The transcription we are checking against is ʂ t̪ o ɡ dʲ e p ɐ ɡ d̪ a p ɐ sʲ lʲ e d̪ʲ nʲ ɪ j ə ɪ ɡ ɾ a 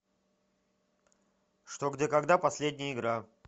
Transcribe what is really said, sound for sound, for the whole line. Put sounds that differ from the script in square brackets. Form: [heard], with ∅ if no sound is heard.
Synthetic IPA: ʂ t̪ o ɡ dʲ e [k] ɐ ɡ d̪ a p ɐ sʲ lʲ e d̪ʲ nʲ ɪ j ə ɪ ɡ ɾ a